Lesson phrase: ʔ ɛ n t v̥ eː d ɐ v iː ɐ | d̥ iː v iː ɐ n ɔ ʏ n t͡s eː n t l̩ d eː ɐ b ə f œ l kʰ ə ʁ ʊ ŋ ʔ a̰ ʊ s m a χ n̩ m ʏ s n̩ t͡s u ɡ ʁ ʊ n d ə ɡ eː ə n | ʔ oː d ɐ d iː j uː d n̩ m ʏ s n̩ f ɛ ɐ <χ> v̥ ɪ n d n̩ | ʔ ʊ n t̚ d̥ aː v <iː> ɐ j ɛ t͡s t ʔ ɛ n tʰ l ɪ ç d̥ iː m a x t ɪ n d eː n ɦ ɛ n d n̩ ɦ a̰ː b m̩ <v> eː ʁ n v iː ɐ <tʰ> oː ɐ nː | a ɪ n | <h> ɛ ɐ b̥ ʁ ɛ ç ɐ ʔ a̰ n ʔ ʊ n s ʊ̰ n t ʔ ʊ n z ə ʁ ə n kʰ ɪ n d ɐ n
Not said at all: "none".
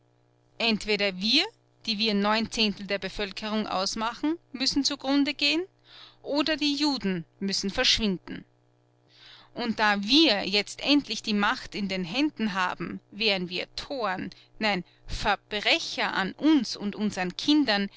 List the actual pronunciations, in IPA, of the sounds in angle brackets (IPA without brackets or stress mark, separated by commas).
ʃ, iː, v, tʰ, f